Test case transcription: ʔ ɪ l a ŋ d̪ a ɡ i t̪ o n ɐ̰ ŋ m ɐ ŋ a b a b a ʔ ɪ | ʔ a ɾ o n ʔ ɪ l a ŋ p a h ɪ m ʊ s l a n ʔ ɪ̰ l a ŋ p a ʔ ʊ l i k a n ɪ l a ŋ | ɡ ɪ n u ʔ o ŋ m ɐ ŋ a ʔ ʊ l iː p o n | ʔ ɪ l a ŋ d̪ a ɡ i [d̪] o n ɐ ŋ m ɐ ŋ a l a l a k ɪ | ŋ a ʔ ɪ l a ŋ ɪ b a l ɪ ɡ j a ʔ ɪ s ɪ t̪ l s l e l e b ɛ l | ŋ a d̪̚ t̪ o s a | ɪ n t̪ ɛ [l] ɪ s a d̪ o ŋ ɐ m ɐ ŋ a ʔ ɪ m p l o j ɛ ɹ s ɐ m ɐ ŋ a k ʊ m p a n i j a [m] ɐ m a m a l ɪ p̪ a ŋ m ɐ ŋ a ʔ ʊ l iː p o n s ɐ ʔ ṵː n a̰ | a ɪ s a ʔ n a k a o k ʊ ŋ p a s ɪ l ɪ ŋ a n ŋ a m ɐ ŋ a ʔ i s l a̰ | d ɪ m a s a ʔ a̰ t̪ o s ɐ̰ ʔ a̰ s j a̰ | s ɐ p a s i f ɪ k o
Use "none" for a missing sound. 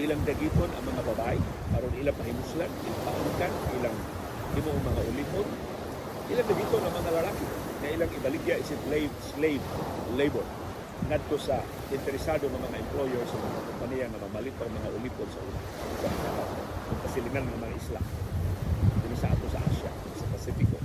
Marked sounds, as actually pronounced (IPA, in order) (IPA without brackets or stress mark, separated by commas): t̪, ɾ, ŋ